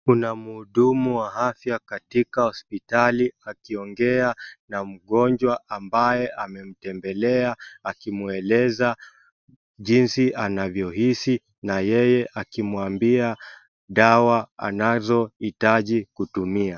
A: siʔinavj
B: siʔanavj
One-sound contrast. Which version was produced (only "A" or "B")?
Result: B